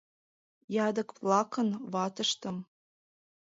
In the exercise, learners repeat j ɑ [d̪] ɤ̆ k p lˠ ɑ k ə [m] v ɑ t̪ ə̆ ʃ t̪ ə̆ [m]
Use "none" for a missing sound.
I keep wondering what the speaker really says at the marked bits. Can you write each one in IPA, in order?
d̪, n, m

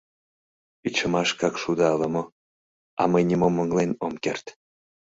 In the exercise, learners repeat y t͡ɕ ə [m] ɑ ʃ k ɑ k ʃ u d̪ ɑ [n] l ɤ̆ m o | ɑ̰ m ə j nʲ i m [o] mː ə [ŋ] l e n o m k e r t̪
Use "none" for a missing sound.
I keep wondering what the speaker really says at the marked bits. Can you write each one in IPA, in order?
m, none, o, ŋ

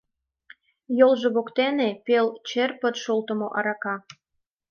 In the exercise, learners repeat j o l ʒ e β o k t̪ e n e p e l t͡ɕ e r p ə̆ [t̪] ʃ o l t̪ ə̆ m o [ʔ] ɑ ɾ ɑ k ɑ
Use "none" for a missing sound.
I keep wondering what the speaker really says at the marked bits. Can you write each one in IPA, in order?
t̪, ʔ

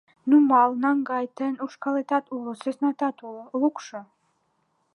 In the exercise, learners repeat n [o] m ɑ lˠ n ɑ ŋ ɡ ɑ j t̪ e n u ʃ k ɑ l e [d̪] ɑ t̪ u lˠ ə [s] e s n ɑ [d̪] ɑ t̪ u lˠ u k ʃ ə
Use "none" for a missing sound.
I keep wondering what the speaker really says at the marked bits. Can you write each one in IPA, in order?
u, t̪, s, t̪

